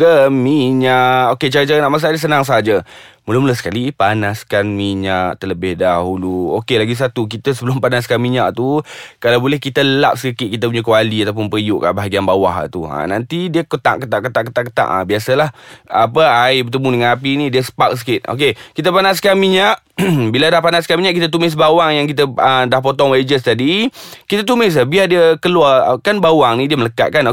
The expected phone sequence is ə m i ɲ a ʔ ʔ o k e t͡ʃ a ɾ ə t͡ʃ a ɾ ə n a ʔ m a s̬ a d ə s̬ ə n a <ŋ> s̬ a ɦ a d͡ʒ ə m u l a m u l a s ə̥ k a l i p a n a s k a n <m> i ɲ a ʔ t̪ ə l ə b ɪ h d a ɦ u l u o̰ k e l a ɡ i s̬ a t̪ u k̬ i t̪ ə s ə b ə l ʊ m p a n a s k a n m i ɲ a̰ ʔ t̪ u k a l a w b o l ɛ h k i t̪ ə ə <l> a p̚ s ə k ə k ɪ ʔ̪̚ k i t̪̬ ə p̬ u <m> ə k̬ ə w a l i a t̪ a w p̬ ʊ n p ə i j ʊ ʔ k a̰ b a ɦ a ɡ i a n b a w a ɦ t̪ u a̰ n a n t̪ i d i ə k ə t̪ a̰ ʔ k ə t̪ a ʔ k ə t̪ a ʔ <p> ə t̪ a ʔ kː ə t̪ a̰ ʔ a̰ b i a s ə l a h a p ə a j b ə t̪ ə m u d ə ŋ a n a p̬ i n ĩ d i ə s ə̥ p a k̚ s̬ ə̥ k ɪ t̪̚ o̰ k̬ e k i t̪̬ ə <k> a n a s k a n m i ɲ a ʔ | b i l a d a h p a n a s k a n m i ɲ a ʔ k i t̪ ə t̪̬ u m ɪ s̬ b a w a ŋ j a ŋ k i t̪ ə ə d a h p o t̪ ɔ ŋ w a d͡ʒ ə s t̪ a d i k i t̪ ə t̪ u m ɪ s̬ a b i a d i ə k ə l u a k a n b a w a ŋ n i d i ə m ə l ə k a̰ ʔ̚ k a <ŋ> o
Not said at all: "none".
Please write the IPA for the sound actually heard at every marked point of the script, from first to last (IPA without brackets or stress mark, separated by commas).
ŋ, m, l, ɲ, k, p, n